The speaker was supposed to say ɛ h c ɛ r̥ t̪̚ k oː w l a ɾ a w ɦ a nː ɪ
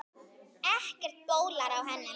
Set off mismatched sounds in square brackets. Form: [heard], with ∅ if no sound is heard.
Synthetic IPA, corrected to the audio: ɛ h c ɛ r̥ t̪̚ [p] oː w l a ɾ a w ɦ [ɛ] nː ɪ